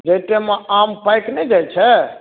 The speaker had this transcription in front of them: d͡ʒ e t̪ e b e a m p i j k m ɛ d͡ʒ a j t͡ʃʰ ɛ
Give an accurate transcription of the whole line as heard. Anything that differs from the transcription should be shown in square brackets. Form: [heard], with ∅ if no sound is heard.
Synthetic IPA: d͡ʒ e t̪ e [m] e a m p [a] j k [n] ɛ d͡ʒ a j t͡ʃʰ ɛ